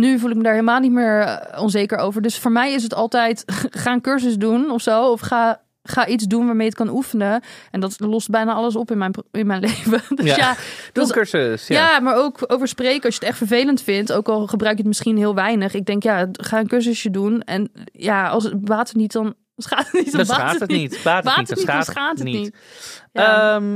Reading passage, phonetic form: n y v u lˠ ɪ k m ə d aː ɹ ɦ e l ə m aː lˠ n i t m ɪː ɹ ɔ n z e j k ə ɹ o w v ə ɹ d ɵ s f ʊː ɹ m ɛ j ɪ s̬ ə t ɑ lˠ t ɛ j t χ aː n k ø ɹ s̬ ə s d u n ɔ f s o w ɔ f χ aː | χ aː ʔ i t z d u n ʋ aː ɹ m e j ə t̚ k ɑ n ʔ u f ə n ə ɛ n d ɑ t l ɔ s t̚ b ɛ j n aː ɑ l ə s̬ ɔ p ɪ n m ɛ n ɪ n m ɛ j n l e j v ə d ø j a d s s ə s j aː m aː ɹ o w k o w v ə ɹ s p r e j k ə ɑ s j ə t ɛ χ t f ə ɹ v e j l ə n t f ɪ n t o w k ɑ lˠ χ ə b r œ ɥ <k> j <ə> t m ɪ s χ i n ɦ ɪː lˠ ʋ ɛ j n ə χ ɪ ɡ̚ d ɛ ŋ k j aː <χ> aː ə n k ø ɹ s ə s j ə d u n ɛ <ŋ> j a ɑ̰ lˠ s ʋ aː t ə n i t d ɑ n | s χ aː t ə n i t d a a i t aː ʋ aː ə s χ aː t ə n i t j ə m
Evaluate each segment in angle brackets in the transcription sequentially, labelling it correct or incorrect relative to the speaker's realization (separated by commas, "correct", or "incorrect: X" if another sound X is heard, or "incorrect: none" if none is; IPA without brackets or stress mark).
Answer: correct, correct, correct, incorrect: n